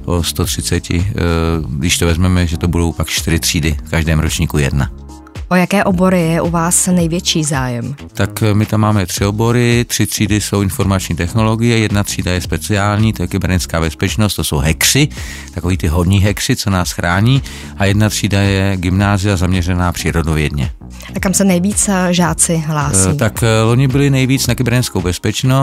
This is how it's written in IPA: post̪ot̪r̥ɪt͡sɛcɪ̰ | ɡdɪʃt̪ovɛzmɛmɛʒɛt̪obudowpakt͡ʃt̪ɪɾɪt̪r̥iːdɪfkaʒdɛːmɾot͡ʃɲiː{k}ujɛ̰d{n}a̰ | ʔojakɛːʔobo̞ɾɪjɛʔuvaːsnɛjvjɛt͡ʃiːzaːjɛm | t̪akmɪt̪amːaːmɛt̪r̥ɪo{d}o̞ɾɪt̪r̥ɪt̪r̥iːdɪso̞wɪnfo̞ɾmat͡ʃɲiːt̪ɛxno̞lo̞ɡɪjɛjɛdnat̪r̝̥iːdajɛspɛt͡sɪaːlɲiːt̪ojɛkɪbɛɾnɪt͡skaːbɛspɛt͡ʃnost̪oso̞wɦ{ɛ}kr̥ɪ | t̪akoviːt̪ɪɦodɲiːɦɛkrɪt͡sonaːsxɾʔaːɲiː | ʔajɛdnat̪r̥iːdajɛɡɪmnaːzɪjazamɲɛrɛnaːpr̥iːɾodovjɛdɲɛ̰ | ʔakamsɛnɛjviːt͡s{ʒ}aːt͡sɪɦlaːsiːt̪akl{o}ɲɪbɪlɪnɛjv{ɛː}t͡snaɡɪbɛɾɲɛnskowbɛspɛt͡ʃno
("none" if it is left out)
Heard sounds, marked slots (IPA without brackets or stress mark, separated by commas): k, n, b, ɛ, ʒ, o, iː